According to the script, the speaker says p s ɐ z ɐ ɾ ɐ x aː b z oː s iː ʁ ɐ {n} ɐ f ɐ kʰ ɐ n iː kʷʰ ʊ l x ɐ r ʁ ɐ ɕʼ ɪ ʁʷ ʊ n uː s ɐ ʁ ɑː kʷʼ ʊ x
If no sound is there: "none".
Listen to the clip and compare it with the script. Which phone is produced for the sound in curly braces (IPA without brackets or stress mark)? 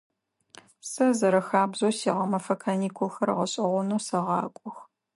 m